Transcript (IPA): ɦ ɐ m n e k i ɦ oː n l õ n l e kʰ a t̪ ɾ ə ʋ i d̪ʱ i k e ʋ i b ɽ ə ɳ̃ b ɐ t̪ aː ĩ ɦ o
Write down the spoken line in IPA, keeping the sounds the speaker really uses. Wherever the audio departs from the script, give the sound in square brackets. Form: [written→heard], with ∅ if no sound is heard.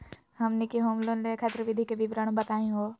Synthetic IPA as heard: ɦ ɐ m n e k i ɦ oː [n→m] l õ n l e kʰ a t̪ ɾ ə ʋ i d̪ʱ i k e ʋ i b [ɽ→ɾ] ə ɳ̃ b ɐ t̪ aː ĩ ɦ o